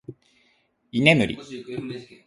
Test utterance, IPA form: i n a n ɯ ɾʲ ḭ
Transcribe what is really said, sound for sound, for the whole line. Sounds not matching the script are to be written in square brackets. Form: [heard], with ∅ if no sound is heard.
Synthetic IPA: i n [e] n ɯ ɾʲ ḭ

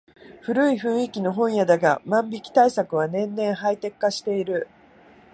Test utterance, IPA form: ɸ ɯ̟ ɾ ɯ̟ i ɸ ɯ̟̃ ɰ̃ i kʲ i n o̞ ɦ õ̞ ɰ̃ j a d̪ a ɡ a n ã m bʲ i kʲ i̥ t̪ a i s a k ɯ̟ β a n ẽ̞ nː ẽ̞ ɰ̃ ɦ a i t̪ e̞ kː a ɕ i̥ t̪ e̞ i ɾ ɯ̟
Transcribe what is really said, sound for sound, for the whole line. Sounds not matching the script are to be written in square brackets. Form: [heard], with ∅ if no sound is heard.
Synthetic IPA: ɸ ɯ̟ ɾ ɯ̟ i ɸ ɯ̟̃ ɰ̃ i kʲ i n o̞ ɦ õ̞ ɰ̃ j a d̪ a ɡ a [m] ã m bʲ i kʲ i̥ t̪ a i s a k ɯ̟ β a n ẽ̞ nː ẽ̞ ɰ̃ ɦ a i t̪ e̞ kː a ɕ i̥ t̪ e̞ i ɾ ɯ̟

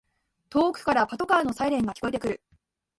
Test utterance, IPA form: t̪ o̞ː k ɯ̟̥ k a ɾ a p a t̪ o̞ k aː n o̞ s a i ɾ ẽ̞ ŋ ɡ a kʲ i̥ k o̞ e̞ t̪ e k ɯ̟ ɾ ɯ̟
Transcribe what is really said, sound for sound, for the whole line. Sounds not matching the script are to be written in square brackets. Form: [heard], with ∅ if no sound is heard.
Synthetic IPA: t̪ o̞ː k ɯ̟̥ k a ɾ a p a t̪ o̞ k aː n o̞ s a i ɾ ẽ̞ ŋ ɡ a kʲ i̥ k o̞ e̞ t̪ e k ɯ̟ ɾ ɯ̟

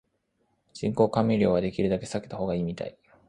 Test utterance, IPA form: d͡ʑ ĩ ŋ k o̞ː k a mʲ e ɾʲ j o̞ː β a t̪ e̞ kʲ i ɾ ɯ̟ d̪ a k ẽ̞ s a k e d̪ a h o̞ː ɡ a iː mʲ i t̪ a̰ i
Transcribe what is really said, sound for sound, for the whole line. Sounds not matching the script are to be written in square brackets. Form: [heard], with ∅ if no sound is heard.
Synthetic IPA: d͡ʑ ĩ ŋ k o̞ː k a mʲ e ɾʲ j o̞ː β a [d̪] e̞ kʲ i ɾ ɯ̟ d̪ a k [e̞] s a k e [t̪] a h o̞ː ɡ a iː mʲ i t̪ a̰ i

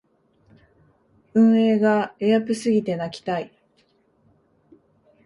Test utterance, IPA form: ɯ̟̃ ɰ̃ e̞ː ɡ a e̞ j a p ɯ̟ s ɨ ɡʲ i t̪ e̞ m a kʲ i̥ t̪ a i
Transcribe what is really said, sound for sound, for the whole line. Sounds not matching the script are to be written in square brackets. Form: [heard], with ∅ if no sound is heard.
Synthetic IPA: ɯ̟̃ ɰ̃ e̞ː ɡ a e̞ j a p ɯ̟ s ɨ ɡʲ i t̪ e̞ [n] a kʲ i̥ t̪ a i

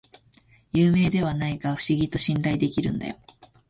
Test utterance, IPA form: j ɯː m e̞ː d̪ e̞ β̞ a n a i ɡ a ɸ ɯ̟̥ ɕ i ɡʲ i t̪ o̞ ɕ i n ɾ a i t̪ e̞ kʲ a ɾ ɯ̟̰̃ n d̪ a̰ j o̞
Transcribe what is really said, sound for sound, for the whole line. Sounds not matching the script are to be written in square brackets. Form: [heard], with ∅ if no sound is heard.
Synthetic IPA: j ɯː m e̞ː d̪ e̞ β̞ a n a i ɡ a ɸ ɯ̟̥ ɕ i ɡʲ i t̪ o̞ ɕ [ĩ] n ɾ a i [d̪] e̞ kʲ [i] ɾ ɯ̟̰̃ n d̪ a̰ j o̞

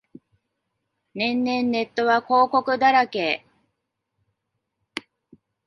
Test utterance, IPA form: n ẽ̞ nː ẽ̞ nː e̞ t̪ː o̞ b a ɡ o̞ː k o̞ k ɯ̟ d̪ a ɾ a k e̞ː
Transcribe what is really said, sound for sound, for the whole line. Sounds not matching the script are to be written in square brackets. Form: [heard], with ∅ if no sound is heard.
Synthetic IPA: n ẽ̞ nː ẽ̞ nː e̞ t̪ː o̞ [β] a [k] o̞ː k o̞ k ɯ̟ d̪ a ɾ a k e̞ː

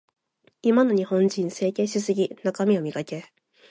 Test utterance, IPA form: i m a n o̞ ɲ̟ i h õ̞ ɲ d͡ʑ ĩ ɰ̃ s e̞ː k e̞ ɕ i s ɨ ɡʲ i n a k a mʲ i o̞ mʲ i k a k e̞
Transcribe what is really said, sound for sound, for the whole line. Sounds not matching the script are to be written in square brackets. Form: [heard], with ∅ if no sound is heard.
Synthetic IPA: i m a n o̞ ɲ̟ i h õ̞ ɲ d͡ʑ ĩ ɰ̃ s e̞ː k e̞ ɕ i s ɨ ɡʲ i n a k a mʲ i o̞ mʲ i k a k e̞

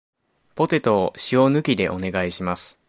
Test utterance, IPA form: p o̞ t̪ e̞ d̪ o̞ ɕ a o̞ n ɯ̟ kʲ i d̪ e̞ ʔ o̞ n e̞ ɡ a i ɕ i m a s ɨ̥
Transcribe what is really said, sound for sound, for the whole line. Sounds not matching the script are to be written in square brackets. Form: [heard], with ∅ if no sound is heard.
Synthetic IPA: p o̞ t̪ e̞ [t̪] o̞ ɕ [i] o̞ n ɯ̟ kʲ i d̪ e̞ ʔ o̞ n e̞ ɡ a i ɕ i m a s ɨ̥

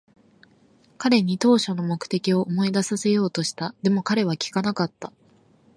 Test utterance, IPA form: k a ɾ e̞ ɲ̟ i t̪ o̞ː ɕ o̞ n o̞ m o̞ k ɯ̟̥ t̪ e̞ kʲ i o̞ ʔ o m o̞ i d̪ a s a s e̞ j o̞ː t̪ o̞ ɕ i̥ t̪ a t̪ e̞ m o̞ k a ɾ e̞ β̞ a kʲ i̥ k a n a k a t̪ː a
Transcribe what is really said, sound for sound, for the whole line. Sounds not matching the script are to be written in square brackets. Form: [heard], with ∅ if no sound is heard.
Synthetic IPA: k a ɾ e̞ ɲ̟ i t̪ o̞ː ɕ o̞ n o̞ m o̞ k ɯ̟̥ t̪ e̞ kʲ i o̞ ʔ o m o̞ i d̪ a s a s e̞ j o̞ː t̪ o̞ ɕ i̥ t̪ a [d̪] e̞ m o̞ k a ɾ e̞ β̞ a kʲ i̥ k a n a k a t̪ː a

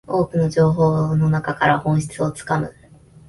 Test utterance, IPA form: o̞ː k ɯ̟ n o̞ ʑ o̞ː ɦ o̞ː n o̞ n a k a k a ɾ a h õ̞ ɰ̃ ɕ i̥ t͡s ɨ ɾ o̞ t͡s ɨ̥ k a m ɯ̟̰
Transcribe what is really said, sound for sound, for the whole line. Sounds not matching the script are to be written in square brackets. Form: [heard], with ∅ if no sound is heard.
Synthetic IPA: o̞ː k ɯ̟ n o̞ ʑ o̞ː ɦ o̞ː n o̞ n a k a k a ɾ a h õ̞ ɰ̃ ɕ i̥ t͡s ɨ [∅] o̞ t͡s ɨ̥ k a m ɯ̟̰

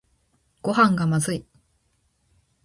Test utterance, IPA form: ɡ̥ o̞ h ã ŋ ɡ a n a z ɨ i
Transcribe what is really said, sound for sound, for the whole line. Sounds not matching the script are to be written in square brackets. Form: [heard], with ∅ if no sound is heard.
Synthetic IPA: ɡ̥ o̞ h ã ŋ ɡ a [m] a z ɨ i

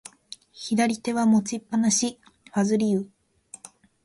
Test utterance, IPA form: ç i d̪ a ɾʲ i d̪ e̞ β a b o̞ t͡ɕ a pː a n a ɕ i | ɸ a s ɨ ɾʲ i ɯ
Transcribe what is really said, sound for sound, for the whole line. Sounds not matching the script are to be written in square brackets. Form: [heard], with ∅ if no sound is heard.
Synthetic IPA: ç i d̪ a ɾʲ i [t̪] e̞ β a [m] o̞ t͡ɕ [i] pː a n a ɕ i | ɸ a [z] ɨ ɾʲ i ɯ

